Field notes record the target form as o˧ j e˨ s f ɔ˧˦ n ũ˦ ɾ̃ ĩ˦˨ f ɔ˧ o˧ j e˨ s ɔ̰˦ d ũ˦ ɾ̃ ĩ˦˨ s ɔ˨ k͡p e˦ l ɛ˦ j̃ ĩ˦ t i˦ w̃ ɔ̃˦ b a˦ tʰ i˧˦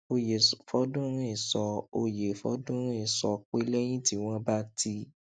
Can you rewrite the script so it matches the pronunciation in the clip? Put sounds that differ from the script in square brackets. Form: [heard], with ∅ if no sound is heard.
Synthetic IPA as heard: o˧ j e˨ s f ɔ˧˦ [d] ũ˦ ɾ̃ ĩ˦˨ [s] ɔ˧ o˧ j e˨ [f] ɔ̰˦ d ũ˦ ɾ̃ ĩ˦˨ s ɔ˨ k͡p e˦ l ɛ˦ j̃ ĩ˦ t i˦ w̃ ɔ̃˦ b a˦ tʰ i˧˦